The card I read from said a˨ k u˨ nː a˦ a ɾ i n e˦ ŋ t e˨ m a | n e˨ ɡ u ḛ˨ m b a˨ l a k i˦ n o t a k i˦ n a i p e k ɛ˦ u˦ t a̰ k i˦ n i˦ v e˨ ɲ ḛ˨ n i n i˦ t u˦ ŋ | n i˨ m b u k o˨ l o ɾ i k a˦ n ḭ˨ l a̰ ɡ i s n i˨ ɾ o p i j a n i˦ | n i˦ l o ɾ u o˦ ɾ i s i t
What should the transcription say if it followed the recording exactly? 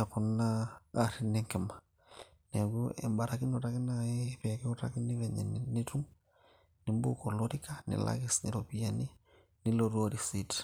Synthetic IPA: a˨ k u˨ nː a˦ a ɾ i n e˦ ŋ k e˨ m a | n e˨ ɡ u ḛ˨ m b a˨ ɾ a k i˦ n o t a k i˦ n a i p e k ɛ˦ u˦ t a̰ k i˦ n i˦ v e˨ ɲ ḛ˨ n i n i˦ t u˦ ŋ | n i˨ m b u k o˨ l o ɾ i k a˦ n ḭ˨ l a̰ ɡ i s n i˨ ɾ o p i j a n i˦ | n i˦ l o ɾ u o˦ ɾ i s i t